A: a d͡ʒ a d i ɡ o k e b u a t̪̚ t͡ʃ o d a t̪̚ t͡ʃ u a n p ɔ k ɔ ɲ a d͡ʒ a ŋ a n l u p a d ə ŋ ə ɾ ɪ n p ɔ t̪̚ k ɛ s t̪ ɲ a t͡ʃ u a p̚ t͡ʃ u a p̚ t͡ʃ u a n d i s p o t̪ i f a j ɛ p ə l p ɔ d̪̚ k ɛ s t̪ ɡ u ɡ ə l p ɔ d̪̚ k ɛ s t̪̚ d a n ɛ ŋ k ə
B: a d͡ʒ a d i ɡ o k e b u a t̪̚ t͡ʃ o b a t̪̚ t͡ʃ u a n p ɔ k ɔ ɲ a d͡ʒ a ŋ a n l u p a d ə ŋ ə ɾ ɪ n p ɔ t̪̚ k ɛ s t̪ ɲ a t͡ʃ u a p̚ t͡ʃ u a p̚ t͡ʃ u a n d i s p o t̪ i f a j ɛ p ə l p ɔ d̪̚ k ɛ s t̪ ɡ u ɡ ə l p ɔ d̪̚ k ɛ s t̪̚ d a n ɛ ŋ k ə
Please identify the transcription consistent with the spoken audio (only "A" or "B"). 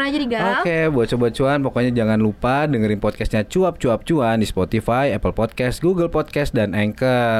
B